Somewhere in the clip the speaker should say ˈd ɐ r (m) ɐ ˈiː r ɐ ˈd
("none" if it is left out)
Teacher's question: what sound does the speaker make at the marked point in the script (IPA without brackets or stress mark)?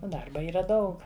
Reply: b